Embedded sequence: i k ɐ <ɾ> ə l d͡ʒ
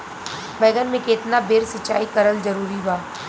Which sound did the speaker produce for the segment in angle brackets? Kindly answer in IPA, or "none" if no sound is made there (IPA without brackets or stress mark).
ɾ